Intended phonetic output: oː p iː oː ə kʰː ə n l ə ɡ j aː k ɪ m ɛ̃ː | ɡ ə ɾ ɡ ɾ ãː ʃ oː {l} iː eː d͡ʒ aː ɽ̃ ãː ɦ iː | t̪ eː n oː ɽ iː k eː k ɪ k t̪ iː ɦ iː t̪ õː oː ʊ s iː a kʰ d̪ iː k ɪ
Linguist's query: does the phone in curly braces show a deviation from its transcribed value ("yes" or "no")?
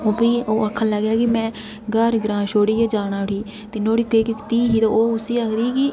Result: yes